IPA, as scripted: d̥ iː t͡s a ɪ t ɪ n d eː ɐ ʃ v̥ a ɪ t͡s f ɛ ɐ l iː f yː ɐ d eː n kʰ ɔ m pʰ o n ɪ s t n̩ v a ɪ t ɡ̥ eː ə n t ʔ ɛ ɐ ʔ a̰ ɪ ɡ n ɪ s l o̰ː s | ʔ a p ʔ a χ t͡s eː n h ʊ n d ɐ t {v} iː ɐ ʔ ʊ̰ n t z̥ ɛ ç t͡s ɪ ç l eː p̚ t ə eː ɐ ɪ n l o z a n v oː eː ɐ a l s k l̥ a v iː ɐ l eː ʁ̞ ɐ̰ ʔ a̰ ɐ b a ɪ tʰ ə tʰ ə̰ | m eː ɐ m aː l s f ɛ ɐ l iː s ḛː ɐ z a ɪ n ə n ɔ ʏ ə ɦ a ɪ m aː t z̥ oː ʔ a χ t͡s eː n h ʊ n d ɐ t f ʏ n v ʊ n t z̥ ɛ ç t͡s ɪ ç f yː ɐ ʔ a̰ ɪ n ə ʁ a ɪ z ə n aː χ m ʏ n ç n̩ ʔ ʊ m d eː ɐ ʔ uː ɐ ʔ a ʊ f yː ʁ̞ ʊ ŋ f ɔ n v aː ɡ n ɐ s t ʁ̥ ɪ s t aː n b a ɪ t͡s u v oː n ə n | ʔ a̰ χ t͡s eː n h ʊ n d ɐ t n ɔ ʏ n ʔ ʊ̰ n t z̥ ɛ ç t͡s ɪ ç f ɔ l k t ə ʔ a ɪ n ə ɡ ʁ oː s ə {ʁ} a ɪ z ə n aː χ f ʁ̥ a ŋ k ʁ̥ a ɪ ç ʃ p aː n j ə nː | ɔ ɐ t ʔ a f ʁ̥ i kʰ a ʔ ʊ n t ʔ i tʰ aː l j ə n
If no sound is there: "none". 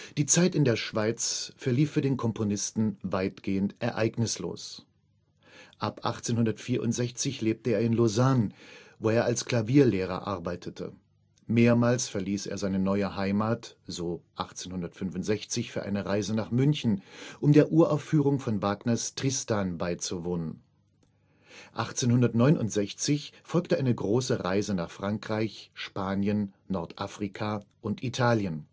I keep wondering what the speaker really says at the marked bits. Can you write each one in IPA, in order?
f, ʁ

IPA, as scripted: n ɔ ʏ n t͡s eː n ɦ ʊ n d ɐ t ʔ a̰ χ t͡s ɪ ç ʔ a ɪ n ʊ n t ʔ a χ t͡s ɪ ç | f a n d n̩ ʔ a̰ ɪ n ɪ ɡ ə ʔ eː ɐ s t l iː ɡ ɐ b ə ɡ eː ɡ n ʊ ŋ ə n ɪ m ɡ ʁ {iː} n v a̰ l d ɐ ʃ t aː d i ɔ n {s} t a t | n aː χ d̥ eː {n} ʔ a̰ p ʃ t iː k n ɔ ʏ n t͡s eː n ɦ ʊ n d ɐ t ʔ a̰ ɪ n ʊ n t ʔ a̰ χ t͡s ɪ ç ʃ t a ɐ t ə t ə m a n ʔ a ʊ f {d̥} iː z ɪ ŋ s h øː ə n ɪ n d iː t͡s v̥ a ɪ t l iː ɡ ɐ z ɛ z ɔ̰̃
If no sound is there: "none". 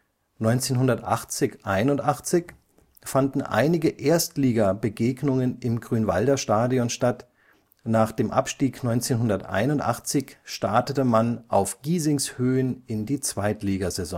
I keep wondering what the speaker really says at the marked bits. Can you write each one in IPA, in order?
yː, ʃ, m, ɡ̥

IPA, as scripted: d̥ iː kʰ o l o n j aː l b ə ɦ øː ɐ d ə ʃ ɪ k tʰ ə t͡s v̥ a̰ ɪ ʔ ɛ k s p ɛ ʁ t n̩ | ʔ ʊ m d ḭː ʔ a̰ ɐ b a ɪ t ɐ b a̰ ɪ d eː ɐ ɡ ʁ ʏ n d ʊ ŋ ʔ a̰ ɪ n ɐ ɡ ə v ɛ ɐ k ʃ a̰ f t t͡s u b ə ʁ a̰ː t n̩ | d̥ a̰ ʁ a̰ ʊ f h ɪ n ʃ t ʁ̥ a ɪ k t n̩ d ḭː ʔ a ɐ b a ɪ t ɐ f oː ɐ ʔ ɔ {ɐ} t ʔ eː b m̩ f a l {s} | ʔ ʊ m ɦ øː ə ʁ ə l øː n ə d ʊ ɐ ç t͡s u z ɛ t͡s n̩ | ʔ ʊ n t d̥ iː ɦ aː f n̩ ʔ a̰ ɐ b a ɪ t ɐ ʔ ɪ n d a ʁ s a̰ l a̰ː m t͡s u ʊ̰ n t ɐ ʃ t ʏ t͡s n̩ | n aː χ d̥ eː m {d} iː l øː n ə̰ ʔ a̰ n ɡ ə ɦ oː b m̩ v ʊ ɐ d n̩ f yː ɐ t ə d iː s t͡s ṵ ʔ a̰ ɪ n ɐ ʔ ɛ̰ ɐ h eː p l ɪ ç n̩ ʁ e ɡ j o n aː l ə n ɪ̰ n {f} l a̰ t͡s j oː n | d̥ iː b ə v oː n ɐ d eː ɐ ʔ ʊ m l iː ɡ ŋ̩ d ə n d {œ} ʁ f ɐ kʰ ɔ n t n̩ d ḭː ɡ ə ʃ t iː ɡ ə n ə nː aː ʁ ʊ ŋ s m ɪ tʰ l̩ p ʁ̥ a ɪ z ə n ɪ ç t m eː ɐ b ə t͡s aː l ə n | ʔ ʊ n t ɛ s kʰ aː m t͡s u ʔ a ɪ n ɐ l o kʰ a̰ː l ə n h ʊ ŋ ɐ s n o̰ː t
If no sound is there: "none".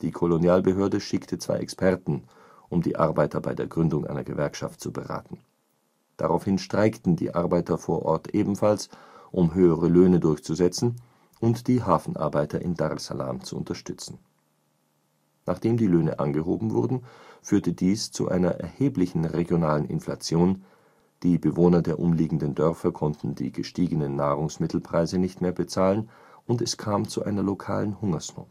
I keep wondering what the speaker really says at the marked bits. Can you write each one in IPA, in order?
ɐ, s, d, f, œ

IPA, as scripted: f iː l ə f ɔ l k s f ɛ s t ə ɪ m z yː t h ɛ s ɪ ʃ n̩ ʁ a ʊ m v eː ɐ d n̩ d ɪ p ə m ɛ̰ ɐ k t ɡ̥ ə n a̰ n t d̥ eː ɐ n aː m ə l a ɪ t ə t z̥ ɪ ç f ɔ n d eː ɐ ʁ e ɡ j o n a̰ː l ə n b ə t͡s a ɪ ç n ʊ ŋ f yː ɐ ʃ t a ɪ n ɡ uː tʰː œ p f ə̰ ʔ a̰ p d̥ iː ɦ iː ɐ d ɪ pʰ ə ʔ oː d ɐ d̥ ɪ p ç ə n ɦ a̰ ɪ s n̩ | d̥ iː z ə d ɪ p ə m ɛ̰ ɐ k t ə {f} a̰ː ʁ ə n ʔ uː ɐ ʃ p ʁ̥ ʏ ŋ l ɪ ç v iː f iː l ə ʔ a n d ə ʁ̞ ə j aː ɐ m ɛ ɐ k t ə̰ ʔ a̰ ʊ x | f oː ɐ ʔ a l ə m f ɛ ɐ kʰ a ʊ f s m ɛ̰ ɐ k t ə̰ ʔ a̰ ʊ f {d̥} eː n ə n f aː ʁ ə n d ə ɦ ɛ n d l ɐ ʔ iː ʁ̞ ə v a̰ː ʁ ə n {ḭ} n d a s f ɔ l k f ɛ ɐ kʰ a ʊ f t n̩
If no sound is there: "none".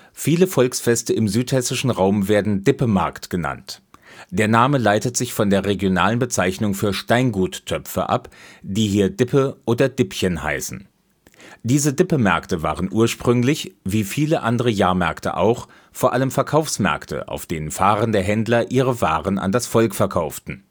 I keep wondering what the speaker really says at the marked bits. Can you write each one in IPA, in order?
v, d̥, a̰

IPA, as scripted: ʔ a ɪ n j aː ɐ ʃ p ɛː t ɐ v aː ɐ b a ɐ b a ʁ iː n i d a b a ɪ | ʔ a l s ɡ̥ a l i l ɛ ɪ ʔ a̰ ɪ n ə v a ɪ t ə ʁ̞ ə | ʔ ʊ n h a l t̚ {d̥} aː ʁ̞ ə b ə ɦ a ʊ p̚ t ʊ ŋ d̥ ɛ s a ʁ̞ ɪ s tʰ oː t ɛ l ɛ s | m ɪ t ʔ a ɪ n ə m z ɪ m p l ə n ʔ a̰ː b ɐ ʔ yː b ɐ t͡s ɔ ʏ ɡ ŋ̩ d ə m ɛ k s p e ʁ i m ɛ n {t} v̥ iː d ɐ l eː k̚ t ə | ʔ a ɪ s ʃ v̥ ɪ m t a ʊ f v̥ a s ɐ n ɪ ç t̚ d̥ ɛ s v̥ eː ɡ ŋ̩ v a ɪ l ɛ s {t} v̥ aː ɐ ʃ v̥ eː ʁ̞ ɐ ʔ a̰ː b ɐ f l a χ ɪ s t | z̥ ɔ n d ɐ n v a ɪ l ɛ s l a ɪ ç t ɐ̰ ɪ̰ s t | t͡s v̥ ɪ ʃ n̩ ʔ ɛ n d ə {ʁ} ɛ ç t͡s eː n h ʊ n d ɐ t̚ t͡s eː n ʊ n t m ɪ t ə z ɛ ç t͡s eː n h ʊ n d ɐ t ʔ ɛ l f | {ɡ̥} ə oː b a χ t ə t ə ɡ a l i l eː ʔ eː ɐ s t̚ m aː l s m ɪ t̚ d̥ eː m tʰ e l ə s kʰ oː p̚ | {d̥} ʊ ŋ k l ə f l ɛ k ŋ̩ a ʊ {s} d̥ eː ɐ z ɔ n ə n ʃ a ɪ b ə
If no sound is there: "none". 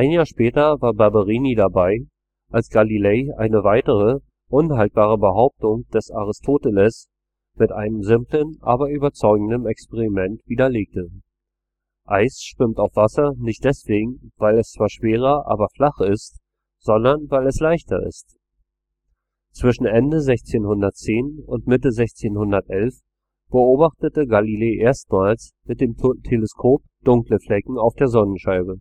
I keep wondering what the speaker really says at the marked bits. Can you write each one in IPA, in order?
b̥, t, t͡s, z, b̥, d̥, f

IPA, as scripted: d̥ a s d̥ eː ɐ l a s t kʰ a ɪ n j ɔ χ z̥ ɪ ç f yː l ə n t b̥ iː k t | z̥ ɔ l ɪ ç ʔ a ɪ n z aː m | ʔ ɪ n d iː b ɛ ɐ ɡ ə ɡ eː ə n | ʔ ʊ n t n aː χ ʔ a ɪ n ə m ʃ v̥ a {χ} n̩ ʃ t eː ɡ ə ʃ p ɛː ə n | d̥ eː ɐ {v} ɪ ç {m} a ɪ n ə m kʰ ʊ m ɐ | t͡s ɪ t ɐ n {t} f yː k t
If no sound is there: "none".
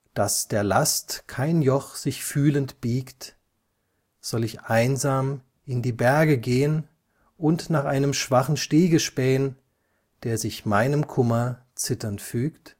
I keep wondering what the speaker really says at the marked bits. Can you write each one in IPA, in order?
χ, z, m, t

